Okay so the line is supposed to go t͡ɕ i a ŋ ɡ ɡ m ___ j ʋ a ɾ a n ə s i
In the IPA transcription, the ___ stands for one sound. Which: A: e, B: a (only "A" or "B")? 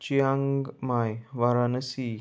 B